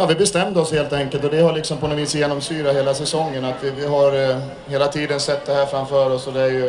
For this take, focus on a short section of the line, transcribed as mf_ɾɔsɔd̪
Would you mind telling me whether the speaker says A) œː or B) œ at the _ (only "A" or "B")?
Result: A